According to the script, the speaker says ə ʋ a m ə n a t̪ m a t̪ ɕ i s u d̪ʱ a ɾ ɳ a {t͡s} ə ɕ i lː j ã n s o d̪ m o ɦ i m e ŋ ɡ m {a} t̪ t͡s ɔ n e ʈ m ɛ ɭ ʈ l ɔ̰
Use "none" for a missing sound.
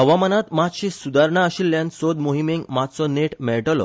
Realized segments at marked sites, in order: none, a

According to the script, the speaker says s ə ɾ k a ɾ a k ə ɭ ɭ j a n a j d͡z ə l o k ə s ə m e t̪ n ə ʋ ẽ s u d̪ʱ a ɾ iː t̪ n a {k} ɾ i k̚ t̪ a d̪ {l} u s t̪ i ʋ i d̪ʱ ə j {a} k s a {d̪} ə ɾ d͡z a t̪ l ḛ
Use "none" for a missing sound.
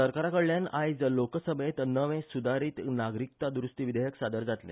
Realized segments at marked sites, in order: ɡ, ɾ, ə, d̪

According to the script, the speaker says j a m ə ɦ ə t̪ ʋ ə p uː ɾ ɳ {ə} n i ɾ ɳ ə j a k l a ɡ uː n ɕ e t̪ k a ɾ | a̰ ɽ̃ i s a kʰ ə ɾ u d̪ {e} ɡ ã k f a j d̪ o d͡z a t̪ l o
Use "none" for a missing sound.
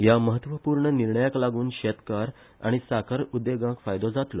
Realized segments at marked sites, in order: ə, e

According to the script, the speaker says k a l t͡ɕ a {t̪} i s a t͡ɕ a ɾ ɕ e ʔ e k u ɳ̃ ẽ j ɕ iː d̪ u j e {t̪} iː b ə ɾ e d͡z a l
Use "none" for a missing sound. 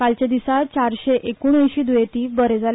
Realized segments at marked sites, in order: d̪, t̪

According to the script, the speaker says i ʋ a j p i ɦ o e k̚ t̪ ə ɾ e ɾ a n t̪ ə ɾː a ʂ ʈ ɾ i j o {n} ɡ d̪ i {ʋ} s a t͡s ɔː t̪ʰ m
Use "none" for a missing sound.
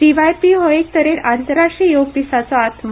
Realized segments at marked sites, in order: none, none

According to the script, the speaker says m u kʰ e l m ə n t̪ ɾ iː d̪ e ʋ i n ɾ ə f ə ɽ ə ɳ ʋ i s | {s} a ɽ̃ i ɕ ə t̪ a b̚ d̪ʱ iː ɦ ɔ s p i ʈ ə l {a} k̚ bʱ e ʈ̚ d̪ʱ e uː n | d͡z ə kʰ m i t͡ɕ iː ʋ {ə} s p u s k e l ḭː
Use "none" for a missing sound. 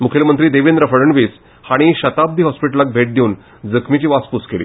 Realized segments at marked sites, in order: h, a, a

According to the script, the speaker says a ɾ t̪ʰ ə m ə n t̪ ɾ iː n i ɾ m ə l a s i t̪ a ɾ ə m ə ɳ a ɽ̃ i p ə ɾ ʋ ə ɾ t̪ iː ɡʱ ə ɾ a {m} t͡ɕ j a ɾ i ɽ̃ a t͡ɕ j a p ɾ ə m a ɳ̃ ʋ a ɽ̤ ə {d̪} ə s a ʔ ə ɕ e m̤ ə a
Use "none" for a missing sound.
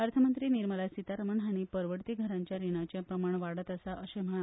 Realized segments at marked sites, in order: ɲ, t̪

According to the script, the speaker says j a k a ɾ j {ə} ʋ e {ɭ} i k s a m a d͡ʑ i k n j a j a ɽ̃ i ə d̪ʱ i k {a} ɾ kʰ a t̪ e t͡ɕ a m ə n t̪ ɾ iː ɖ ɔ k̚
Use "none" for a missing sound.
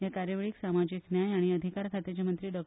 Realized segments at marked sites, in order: ə, ɭ, a

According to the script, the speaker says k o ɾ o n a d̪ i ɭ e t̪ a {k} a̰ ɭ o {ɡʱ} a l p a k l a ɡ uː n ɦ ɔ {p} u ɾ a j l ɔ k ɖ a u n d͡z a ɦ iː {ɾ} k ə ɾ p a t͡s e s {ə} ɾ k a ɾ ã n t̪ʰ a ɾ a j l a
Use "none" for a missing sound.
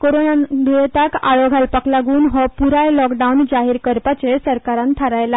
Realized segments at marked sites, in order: k, ɡʱ, p, ɾ, ə

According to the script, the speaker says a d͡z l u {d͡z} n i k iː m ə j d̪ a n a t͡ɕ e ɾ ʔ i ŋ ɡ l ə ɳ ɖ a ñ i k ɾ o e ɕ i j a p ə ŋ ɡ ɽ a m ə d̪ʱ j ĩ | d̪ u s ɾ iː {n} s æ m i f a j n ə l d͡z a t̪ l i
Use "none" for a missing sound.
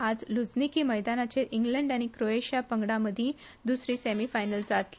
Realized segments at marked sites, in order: d͡z, none

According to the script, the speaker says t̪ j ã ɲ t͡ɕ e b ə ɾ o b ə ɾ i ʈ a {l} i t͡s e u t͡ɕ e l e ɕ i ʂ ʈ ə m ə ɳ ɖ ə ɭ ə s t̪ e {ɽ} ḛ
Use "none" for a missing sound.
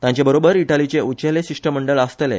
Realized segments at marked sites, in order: l, l

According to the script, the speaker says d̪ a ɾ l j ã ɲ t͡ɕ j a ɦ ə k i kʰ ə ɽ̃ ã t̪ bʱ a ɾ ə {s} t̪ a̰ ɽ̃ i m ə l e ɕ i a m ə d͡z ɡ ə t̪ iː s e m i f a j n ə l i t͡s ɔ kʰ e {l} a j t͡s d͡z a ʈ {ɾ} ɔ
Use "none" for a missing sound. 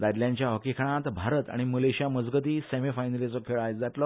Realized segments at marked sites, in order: none, ɭ, l

